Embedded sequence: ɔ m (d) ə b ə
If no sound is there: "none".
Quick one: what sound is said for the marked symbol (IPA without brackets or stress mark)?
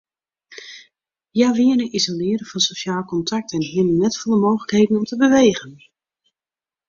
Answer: t